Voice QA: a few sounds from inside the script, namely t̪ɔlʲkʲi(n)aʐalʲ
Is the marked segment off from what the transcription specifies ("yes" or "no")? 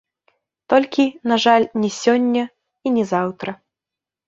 no